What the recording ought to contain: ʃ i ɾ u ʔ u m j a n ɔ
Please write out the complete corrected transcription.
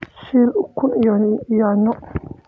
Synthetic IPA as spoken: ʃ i l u k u n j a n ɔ